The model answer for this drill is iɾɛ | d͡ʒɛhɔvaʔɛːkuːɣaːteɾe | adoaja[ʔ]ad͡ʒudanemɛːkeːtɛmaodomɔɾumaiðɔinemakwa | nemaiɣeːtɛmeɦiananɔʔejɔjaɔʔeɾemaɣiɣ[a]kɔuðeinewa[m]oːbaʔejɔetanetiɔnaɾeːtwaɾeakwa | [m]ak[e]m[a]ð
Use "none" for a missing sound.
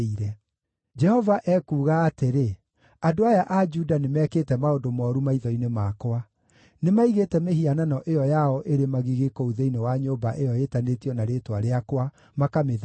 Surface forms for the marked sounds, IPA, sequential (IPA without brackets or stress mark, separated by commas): ʔ, e, ɲ, m, a, e